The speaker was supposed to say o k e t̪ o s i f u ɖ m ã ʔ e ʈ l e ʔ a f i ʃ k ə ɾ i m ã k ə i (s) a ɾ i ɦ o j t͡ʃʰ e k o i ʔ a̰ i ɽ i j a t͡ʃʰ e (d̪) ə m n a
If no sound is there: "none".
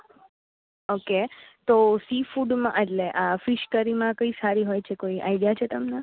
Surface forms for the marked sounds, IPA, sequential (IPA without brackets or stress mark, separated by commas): s, t̪